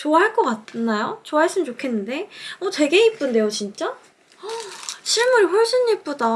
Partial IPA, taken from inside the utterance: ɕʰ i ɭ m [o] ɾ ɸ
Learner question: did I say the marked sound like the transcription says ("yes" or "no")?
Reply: no